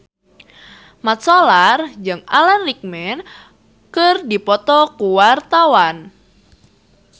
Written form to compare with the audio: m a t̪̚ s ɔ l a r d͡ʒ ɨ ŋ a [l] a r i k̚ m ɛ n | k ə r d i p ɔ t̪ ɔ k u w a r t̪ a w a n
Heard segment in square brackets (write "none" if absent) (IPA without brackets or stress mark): l